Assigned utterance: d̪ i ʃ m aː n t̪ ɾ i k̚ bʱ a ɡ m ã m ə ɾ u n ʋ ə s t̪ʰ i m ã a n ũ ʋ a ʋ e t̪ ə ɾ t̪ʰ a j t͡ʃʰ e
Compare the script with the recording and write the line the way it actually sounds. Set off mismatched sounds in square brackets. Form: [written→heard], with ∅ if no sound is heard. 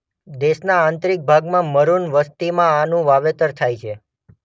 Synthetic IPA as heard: d̪ [i→e] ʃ [m→n] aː n t̪ ɾ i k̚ bʱ a ɡ m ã m ə ɾ u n ʋ ə s [t̪ʰ→t̪] i m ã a n ũ ʋ a ʋ e t̪ ə ɾ t̪ʰ a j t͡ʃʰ e